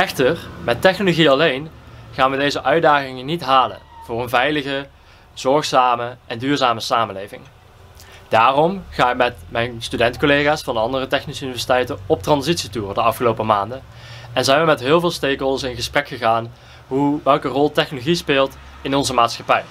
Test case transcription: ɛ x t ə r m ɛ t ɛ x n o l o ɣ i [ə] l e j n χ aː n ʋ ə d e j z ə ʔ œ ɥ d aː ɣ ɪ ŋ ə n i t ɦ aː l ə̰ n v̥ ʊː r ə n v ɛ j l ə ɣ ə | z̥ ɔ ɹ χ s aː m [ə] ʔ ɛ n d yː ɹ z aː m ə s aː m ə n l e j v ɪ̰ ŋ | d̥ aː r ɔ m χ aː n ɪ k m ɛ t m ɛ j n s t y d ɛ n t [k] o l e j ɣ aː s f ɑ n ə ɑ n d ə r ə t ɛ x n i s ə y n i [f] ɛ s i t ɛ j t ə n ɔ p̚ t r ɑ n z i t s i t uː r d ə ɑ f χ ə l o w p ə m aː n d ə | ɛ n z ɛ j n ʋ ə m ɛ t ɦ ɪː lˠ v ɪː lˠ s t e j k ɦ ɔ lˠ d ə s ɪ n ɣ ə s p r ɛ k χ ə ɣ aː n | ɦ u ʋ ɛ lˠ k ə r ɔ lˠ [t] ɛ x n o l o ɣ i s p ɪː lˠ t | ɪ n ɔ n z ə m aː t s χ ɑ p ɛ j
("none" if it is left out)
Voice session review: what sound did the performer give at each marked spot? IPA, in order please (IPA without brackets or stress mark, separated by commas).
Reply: ɑ, ə, k, v, t